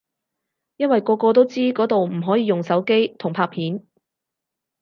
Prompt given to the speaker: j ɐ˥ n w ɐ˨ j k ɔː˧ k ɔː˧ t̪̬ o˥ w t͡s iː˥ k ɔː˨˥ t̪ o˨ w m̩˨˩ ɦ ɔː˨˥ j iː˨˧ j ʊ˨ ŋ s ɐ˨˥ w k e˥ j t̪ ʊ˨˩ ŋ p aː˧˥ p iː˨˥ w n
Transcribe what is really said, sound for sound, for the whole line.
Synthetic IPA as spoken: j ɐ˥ n w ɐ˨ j k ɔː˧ k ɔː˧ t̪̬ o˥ w t͡s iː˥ k ɔː˨˥ t̪ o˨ w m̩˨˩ ɦ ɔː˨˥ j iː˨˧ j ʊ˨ ŋ s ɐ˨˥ w k e˥ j t̪ʰ ʊ˨˩ ŋ pʰ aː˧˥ pʰ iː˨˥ n